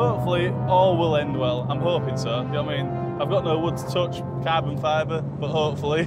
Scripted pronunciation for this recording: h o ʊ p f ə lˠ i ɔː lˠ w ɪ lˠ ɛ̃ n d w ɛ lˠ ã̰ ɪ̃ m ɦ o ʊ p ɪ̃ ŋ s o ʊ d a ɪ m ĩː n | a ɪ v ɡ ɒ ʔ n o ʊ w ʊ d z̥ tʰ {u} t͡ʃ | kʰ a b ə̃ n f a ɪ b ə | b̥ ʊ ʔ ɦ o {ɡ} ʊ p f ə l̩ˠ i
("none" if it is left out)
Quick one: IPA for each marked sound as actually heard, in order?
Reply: ʊ, none

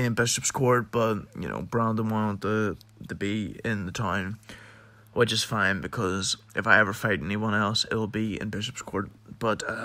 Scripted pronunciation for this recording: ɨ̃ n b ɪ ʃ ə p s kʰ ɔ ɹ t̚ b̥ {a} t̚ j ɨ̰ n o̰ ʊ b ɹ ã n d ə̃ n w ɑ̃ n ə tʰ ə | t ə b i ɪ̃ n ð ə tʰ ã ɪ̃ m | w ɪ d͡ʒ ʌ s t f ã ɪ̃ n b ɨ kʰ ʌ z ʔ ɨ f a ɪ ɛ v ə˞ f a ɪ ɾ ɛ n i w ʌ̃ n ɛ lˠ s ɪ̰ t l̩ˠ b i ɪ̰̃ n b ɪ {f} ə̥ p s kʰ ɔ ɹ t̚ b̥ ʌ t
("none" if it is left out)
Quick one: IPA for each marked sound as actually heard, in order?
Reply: ʌ, ʃ

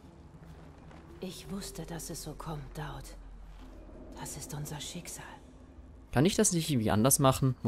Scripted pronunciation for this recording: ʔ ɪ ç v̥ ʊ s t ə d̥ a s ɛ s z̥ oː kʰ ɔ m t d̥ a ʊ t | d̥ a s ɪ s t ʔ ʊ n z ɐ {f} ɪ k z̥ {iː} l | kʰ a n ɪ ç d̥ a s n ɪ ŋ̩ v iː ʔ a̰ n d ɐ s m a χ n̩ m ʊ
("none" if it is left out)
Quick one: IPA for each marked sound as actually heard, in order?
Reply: ʃ, aː

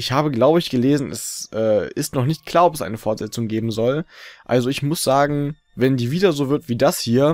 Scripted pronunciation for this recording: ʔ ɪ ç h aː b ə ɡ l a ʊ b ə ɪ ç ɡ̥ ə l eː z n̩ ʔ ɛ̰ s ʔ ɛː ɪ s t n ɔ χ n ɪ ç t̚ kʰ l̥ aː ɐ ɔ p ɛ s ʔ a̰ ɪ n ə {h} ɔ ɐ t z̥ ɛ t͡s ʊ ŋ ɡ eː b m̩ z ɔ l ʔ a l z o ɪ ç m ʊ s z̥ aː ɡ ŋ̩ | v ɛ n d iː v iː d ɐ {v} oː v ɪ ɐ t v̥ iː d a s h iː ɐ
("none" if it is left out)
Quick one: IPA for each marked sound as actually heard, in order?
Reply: f, z

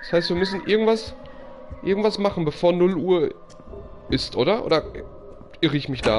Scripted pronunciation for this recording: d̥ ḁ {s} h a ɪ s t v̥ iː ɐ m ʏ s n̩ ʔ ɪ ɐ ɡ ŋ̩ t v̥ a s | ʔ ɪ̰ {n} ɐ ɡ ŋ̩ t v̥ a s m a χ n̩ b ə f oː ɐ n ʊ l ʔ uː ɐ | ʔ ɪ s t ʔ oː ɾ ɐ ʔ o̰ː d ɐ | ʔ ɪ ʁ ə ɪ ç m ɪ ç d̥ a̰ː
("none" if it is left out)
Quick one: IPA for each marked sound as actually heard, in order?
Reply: s, none

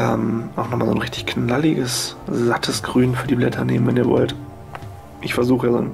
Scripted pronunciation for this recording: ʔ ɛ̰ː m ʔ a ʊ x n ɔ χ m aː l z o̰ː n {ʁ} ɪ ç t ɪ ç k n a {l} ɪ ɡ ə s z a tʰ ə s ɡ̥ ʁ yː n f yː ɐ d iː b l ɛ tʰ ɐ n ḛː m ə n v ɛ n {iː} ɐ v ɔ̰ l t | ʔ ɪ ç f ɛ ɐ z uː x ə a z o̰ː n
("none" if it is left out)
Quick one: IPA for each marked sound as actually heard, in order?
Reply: ʁ, l, iː

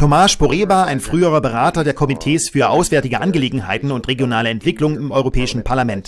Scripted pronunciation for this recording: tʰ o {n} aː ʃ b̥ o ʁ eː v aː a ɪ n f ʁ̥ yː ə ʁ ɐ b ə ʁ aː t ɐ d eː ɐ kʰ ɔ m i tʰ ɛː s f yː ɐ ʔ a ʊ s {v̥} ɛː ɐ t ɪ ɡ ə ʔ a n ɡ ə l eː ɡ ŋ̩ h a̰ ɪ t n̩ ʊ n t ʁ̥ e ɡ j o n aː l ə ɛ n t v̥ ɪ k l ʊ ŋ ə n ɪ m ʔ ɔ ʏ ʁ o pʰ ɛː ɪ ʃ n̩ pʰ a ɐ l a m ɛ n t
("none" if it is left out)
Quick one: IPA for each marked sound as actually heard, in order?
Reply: m, v̥

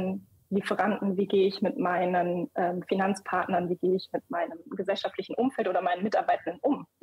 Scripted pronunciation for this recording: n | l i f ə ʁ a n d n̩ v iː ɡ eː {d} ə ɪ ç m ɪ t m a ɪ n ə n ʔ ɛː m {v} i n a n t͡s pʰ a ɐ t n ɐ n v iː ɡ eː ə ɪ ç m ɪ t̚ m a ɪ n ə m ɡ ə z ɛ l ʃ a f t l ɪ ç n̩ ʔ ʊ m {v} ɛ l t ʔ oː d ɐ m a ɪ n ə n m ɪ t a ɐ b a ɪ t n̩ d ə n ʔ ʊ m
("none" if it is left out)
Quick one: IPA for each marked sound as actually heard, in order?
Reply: none, f, f

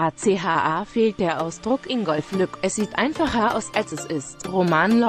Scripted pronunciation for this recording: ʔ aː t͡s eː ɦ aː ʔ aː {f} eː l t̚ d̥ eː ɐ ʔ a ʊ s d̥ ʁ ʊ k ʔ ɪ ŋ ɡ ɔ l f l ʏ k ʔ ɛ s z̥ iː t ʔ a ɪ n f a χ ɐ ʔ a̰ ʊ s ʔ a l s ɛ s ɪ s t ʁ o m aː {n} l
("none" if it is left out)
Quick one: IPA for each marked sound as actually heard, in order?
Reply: f, n

